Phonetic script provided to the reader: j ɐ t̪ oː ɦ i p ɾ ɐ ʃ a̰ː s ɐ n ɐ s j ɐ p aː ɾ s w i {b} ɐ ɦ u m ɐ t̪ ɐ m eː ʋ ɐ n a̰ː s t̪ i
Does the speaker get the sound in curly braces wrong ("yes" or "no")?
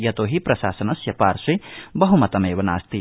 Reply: no